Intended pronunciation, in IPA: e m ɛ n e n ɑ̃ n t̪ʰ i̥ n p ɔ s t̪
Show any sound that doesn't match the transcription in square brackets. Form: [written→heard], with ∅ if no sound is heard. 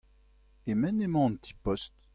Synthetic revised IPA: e m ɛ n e [n→m] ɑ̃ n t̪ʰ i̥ [n→∅] p ɔ s t̪